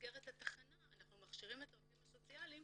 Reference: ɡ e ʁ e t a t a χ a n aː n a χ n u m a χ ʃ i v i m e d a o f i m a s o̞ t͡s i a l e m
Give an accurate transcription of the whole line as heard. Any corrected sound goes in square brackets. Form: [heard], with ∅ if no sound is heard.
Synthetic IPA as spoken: ɡ e ʁ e t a t a χ a n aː n a χ n u m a χ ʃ i [ʁ] i m e [t] a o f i m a s o̞ t͡s i a l [i] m